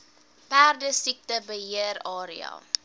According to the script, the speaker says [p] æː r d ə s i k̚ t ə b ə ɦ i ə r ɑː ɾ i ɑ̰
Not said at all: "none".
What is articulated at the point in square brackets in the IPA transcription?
p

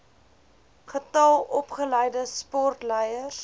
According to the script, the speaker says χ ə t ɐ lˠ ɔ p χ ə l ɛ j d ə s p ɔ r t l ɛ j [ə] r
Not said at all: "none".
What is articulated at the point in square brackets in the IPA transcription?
ə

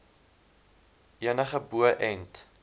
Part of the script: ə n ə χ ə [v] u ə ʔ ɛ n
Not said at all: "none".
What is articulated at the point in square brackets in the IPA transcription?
b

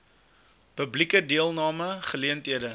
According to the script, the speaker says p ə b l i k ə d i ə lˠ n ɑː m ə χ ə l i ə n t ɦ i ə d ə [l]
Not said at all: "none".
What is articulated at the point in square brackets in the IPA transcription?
none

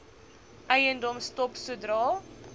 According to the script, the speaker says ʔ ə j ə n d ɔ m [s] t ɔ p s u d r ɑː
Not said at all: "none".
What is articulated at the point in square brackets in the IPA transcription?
s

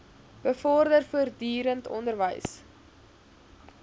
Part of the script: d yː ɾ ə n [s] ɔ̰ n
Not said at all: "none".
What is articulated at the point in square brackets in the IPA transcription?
t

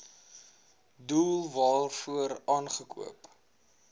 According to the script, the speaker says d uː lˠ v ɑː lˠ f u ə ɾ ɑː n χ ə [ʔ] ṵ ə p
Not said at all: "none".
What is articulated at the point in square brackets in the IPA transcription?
k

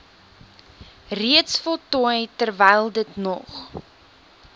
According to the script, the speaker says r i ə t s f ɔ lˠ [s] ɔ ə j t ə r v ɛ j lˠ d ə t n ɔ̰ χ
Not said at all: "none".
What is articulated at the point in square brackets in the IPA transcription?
t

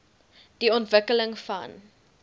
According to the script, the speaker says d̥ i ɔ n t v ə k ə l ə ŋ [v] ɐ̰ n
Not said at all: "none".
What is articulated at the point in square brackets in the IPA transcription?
f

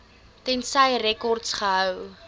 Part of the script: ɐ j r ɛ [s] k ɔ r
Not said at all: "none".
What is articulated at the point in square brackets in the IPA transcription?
none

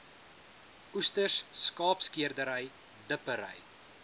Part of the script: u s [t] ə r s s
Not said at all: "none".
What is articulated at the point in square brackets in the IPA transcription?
t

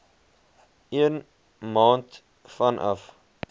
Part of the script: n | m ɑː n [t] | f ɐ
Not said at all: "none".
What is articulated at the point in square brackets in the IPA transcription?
t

